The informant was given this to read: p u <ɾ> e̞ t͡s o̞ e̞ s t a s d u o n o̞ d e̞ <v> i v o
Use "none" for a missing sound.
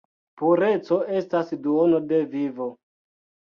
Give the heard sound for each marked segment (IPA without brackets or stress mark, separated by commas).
ɾ, v